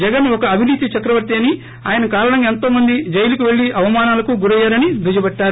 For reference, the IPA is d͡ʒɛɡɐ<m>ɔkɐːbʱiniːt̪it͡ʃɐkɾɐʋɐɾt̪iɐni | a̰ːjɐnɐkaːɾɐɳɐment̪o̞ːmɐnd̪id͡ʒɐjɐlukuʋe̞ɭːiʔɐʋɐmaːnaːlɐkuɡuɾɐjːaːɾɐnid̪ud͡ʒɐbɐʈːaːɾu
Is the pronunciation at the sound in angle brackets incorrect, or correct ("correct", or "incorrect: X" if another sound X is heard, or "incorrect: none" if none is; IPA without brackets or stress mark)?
incorrect: n